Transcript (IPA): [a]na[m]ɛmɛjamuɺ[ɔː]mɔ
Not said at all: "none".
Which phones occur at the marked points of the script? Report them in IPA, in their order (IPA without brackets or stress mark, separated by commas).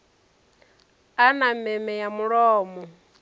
a, m, ɔː